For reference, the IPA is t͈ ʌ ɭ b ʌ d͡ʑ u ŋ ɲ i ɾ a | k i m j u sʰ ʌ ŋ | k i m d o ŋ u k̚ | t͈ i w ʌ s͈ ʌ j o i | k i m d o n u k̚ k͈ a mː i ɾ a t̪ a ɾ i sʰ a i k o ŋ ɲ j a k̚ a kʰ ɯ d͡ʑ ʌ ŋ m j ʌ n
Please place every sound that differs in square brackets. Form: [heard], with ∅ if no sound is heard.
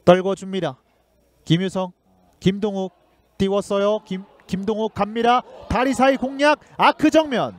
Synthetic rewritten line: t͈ ʌ ɭ [ɡ] ʌ d͡ʑ u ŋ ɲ i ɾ a | k i m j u sʰ ʌ ŋ | k i m d o ŋ u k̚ | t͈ i w ʌ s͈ ʌ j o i | k i m d o [ŋ] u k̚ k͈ a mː i ɾ a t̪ a ɾ i sʰ a i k o ŋ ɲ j a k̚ a kʰ ɯ d͡ʑ ʌ ŋ m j ʌ n